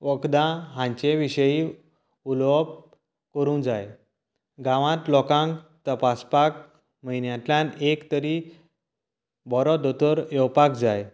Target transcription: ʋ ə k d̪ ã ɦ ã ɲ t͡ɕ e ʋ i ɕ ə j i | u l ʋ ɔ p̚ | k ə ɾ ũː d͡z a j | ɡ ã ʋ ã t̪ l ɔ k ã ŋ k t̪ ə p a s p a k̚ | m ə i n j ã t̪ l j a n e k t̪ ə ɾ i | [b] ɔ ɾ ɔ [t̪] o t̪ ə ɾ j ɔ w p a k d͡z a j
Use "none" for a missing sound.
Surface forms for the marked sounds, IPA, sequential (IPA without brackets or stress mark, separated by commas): b, d̪